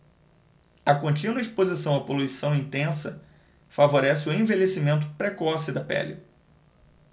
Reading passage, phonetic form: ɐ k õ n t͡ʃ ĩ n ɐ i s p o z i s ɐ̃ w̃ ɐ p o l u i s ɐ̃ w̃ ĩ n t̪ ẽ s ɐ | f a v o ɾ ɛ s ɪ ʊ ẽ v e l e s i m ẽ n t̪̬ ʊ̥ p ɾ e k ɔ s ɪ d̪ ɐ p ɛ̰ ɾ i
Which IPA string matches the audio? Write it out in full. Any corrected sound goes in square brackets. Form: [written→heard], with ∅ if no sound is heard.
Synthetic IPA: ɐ k õ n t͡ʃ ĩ n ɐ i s p o z i s ɐ̃ w̃ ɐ p o l u i s ɐ̃ w̃ ĩ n t̪ ẽ s ɐ | f a v o ɾ ɛ s ɪ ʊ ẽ v e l e s i m ẽ n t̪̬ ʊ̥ p ɾ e k ɔ s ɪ d̪ ɐ p ɛ̰ [ɾ→l] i